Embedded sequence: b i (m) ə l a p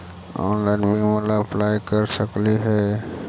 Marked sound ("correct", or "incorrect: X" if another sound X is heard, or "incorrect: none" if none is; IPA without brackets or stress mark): correct